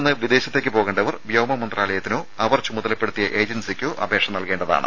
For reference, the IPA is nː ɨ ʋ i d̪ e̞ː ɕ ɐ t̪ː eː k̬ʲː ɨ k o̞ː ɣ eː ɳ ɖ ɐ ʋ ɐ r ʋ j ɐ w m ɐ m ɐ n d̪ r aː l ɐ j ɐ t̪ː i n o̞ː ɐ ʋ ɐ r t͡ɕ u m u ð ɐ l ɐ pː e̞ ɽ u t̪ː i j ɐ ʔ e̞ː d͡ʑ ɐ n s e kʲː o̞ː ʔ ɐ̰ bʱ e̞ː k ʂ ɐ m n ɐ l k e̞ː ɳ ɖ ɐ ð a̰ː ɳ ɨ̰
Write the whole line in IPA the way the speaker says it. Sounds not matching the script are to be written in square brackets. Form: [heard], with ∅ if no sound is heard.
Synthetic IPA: nː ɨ ʋ i d̪ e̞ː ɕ ɐ t̪ː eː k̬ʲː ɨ [p] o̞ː ɣ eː ɳ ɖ ɐ ʋ ɐ r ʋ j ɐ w m ɐ m ɐ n d̪ r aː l ɐ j ɐ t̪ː i n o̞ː ɐ ʋ ɐ r t͡ɕ u m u ð ɐ l ɐ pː e̞ ɽ u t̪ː i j ɐ ʔ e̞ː d͡ʑ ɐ n s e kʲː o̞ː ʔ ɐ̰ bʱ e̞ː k ʂ ɐ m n ɐ l k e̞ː ɳ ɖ ɐ ð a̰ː ɳ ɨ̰